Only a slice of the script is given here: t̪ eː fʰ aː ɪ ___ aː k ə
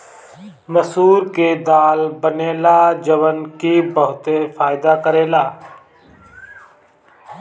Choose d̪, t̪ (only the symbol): d̪